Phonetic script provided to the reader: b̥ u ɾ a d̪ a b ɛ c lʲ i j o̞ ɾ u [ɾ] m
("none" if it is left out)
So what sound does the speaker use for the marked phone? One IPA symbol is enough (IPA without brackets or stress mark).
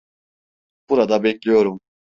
none